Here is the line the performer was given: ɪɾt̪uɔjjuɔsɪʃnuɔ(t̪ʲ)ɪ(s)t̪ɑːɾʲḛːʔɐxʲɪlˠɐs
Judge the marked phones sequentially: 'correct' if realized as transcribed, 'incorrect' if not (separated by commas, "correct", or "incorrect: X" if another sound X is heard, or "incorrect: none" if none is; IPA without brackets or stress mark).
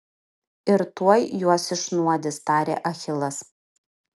incorrect: d̪ʲ, correct